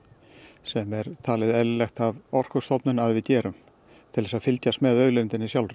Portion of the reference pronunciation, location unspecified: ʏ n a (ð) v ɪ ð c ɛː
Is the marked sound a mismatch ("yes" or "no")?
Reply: no